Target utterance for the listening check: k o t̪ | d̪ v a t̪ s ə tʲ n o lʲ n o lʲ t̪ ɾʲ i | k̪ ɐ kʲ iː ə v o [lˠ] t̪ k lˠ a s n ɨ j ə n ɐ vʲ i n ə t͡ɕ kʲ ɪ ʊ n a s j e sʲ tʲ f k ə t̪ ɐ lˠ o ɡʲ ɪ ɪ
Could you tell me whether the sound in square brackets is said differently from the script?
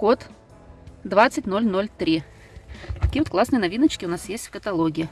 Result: yes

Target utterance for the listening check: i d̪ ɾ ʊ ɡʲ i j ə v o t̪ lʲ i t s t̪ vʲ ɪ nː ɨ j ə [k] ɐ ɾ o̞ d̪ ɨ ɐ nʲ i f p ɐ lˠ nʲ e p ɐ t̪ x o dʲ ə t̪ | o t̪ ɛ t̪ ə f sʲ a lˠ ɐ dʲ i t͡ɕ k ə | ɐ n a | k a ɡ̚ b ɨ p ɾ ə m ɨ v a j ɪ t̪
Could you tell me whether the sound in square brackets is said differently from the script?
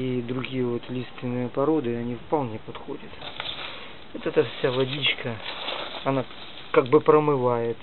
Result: yes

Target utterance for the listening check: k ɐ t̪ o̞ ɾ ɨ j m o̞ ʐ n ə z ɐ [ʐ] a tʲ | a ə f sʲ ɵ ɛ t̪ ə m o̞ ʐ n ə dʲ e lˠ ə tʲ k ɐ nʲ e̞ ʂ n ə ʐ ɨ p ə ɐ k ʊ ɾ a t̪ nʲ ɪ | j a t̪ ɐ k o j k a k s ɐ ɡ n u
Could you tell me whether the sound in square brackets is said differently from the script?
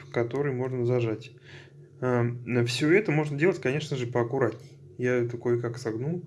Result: no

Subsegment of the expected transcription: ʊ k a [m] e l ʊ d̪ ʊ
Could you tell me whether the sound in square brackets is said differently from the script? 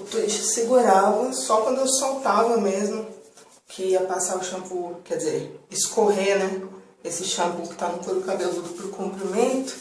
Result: yes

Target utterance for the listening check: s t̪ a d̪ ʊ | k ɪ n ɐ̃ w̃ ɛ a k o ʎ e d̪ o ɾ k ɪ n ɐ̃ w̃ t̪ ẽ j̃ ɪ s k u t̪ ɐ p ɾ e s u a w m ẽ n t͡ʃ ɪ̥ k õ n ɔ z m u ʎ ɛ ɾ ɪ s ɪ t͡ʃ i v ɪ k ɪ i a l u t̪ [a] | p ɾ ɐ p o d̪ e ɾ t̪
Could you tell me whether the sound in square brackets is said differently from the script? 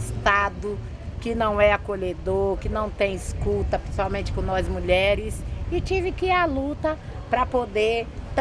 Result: yes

